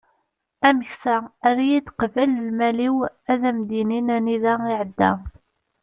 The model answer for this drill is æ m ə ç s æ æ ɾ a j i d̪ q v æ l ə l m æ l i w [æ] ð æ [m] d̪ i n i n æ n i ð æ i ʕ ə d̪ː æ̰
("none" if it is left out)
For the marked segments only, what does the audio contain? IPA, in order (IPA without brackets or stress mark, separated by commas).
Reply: æ, m